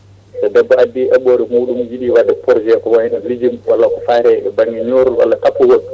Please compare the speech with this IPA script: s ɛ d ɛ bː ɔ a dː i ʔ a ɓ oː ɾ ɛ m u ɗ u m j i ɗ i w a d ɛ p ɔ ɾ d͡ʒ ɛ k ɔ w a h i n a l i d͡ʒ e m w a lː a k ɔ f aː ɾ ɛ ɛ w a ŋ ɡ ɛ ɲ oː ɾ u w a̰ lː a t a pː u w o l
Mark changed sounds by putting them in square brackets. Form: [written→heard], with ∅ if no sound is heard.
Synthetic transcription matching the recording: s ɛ d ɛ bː ɔ a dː i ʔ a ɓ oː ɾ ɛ m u ɗ u m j i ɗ i w a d ɛ p ɔ ɾ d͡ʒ ɛ k ɔ w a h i n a l i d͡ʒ [e→i] m w a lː a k ɔ f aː ɾ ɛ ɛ [w→b] a ŋ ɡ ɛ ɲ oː ɾ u w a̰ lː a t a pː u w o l